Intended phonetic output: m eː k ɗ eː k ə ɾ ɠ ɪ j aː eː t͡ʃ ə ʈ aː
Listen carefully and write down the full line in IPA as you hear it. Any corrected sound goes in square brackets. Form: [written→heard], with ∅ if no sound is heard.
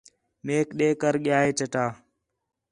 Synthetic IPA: m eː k ɗ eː k ə ɾ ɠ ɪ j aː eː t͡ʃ ə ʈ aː